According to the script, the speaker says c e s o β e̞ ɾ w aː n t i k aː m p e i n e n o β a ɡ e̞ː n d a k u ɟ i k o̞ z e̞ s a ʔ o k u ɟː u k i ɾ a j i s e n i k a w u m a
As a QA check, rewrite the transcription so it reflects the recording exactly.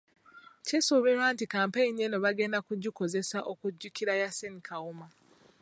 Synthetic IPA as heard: c e s o β e̞ ɾ w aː n t i k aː m p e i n e n o β a ɡ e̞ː n d a k u ɟ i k o̞ z e̞ s a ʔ o k u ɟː u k i ɾ a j a s e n i k a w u m a